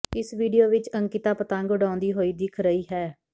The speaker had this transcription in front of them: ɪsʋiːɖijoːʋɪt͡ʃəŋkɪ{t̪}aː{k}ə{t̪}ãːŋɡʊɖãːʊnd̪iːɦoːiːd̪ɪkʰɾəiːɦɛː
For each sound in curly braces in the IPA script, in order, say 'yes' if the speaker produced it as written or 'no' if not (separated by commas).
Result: yes, no, yes